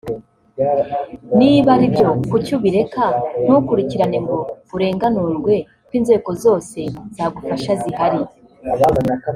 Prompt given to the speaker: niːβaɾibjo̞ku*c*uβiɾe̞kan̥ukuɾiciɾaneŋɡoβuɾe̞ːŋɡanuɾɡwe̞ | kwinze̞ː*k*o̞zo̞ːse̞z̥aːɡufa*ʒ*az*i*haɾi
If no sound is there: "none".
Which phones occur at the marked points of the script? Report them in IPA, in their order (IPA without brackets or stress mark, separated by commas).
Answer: c, k, ʃ, i